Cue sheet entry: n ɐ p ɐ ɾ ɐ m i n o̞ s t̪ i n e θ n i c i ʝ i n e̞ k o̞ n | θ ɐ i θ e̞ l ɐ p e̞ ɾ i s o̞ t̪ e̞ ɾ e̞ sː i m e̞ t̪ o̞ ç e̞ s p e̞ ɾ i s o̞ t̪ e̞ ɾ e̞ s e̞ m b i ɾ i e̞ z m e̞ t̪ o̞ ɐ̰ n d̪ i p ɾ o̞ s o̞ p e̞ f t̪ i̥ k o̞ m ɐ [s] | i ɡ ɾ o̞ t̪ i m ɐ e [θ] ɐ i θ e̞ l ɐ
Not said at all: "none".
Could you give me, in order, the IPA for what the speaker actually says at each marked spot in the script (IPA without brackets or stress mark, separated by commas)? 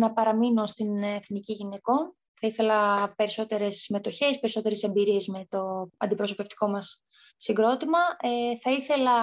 sː, θ